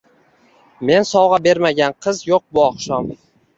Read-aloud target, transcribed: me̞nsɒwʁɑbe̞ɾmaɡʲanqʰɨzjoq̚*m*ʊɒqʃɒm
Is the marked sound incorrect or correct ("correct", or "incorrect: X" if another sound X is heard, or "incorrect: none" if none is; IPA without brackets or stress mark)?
incorrect: b